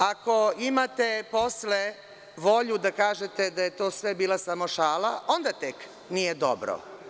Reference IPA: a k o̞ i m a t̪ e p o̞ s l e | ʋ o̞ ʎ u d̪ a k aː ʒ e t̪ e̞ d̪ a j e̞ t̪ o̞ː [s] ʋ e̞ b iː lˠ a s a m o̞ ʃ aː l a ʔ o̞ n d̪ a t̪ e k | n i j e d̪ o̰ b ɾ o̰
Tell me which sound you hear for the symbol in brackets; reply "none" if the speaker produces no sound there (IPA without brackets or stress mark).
s